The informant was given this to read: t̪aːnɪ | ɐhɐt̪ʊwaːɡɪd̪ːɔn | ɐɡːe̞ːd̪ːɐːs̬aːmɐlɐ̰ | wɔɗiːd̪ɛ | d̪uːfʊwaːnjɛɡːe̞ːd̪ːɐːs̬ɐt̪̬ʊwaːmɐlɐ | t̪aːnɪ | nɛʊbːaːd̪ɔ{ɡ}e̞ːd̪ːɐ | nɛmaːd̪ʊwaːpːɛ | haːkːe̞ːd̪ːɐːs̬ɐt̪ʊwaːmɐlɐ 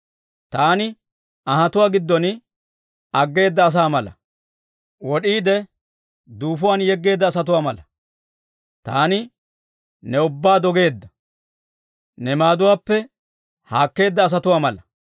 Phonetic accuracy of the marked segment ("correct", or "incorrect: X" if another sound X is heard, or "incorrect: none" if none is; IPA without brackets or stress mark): correct